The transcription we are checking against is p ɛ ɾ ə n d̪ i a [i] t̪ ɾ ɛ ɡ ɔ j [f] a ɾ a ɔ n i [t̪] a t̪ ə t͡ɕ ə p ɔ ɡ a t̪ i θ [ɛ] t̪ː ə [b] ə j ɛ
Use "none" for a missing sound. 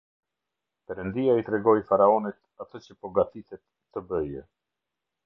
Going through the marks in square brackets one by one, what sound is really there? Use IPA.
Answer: i, f, t̪, ɛ, b

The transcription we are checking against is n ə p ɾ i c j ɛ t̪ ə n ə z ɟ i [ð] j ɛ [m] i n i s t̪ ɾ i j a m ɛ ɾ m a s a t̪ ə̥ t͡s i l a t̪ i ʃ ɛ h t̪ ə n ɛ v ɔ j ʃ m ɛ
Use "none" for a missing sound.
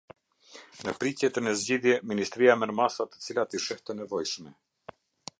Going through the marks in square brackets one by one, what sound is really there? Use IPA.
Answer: ð, m

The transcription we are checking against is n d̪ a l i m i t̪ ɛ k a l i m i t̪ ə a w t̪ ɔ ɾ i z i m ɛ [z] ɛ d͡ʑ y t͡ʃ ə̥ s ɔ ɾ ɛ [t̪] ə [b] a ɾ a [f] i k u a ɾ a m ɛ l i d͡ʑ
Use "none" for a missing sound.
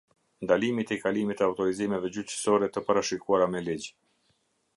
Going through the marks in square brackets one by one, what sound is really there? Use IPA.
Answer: v, t̪, p, ʃ

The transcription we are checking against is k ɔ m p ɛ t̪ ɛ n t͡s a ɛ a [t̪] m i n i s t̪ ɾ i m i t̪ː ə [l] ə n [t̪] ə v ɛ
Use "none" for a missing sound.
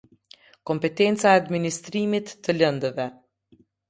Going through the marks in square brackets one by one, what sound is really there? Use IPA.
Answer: d̪, l, d̪

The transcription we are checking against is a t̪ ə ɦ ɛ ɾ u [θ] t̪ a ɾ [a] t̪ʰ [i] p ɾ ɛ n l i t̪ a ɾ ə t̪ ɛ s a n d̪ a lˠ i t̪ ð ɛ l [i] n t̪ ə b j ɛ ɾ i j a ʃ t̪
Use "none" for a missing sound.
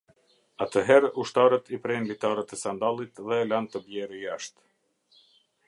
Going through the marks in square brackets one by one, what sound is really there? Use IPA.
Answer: ʃ, ə, i, a

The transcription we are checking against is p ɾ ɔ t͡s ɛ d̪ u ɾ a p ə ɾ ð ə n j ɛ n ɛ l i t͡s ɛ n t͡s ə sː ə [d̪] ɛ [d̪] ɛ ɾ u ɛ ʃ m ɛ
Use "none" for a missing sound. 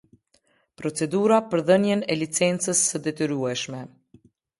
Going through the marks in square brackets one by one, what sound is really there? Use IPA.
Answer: d̪, t̪

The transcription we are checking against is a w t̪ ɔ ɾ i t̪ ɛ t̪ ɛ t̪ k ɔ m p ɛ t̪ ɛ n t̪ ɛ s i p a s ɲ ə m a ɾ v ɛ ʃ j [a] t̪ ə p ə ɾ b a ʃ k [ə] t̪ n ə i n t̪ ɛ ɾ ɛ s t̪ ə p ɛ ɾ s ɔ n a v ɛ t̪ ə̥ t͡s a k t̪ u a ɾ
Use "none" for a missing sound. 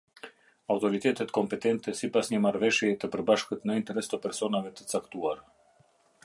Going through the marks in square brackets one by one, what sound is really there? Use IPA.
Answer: ɛ, ə

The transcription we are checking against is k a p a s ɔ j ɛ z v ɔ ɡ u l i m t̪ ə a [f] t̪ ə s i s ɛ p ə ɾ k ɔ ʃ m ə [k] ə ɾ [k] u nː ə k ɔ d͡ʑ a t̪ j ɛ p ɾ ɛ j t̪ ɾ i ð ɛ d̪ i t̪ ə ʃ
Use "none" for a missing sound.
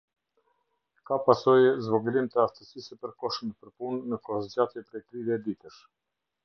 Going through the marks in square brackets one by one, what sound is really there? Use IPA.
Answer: f, p, p

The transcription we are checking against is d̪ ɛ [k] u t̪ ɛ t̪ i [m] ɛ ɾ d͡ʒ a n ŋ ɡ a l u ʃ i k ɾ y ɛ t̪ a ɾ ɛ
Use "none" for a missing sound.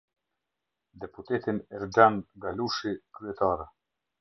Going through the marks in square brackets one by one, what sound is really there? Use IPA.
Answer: p, n

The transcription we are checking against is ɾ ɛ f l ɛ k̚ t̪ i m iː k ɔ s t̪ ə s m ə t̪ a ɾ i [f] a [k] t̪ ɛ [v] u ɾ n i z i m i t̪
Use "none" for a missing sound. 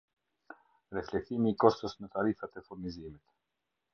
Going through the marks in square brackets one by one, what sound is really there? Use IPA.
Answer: f, none, f

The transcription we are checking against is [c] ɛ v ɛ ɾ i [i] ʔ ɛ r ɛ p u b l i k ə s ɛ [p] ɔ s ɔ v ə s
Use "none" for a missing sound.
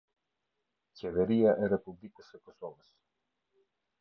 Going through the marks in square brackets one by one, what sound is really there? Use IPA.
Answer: c, a, k

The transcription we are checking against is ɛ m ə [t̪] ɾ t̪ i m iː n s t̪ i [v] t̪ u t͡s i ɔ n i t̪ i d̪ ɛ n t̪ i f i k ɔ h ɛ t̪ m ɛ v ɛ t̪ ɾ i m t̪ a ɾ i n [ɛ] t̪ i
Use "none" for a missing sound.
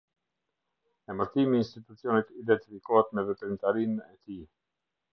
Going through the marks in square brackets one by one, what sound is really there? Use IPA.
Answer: none, none, ɛ

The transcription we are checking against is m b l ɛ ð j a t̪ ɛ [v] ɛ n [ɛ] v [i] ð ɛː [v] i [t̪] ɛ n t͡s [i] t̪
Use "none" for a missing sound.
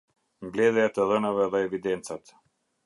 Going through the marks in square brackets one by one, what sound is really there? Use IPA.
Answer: ð, a, ɛ, v, d̪, a

